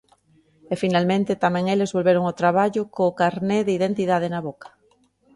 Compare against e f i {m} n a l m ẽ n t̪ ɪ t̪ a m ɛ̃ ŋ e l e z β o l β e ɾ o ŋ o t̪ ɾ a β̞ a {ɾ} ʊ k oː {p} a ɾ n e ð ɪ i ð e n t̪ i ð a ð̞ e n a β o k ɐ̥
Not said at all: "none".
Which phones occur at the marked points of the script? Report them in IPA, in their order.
none, ʎ, k

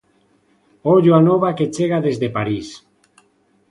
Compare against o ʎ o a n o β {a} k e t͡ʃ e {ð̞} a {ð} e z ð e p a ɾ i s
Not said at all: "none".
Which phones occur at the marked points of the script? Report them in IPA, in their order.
a, ɣ̞, ð

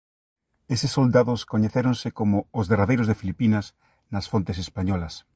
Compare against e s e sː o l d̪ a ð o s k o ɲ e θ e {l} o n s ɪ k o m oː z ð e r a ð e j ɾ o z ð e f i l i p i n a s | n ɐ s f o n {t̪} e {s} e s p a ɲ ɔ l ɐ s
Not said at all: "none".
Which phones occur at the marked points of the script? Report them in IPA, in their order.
ɾ, t̪, s

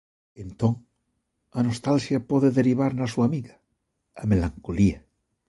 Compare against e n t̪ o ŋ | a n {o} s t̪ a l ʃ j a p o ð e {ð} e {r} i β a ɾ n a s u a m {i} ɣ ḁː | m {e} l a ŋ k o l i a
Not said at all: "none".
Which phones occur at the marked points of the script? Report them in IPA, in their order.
o, ð, ɾ, i, e

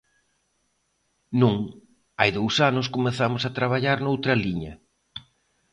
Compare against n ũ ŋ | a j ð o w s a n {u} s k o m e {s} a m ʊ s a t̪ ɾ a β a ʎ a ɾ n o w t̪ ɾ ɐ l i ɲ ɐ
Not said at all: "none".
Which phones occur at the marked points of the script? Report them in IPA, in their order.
ʊ, θ

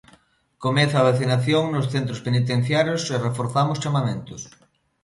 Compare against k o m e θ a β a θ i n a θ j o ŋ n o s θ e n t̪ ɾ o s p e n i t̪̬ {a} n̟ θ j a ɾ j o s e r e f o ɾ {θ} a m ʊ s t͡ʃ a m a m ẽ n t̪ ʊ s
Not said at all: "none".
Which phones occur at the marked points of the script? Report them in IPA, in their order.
e, θ

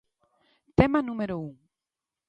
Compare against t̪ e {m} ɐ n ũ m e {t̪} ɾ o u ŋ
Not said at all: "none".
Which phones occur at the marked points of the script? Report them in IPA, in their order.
m, none

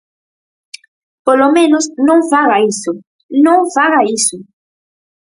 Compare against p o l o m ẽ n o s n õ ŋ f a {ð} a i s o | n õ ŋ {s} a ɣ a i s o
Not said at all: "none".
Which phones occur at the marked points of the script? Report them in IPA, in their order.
ɣ, f

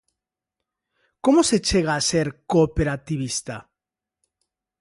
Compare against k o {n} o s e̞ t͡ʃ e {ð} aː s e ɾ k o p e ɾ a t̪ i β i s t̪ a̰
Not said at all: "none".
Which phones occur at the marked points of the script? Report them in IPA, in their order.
m, ɣ

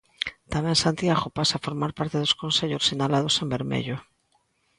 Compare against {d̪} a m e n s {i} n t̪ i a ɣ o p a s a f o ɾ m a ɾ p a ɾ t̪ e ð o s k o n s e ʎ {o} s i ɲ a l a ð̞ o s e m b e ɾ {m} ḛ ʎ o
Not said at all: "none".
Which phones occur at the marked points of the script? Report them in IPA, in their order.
t̪, a, o, m

